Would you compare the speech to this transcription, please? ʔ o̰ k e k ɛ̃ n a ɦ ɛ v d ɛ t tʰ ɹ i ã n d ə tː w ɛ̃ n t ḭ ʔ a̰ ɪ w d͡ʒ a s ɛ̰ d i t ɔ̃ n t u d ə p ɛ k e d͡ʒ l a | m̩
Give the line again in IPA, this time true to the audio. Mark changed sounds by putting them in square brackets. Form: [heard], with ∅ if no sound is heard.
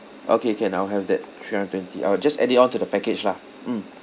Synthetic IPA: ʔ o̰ k e k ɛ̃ n a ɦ ɛ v d ɛ t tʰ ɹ i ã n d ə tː w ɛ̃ n t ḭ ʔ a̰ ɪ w d͡ʒ a s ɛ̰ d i t ɔ̃ n t u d ə p ɛ k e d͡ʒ l a | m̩

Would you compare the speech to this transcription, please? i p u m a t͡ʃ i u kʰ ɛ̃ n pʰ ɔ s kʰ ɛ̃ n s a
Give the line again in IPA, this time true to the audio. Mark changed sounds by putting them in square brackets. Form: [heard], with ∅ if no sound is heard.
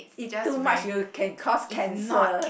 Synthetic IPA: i [t] u m a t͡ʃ [j] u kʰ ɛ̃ n [kʰ] ɔ s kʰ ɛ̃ n s [ə]

